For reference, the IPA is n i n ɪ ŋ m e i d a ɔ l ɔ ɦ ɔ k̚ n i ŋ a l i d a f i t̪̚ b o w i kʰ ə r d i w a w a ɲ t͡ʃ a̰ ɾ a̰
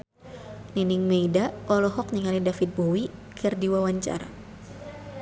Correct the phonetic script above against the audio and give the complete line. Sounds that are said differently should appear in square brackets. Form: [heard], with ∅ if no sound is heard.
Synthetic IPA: n i n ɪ ŋ m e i d a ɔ l ɔ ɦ ɔ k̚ n i ŋ a l i d a f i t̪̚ b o w i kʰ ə r d i w a w a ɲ t͡ʃ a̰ ɾ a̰